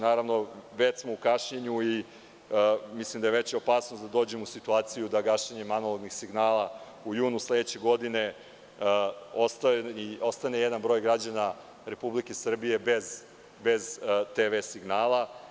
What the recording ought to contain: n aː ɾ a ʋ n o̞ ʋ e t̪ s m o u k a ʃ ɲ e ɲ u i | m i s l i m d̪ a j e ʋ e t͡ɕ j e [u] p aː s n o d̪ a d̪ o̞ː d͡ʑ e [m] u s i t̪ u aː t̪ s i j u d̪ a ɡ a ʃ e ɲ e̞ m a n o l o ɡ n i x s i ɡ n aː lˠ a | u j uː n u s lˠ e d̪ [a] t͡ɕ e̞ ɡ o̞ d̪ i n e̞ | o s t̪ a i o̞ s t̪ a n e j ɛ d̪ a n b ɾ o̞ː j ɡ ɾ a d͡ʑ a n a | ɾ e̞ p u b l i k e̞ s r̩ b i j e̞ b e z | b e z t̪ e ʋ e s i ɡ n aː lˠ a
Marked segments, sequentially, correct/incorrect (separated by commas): incorrect, correct, incorrect